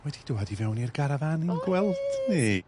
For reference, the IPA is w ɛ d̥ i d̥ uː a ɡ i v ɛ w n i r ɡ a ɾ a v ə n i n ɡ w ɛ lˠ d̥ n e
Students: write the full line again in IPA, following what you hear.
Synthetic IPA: w ɛ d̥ i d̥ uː a d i v ɛ w n i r ɡ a ɾ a v a n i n ɡ w ɛ lˠ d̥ n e